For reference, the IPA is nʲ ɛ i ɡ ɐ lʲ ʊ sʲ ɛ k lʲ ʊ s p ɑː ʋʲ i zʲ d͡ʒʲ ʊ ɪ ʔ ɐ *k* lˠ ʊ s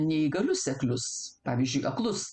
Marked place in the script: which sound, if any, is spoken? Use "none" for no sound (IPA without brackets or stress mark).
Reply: k